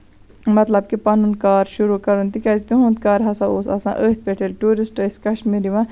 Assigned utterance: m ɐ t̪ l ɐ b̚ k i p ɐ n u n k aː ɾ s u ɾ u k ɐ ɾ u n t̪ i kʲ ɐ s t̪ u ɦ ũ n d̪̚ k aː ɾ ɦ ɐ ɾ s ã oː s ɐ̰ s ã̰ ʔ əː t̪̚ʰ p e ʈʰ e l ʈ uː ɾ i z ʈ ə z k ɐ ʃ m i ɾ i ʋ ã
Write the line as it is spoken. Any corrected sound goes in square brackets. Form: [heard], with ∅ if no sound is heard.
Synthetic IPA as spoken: m ɐ t̪ l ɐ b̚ k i p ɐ n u n k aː ɾ [ʃ] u ɾ u k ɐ ɾ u n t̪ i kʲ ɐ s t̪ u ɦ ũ n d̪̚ k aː ɾ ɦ ɐ [∅] s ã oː s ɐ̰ s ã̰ ʔ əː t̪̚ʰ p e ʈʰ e l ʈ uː ɾ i [s] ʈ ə [s] k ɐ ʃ m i ɾ i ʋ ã